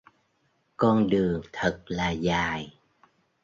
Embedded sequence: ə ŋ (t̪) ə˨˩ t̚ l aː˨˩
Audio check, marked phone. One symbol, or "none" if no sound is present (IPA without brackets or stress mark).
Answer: t̪ʰ